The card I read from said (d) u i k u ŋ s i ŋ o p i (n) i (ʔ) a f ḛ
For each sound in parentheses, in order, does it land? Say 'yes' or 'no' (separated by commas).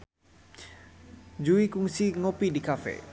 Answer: no, no, no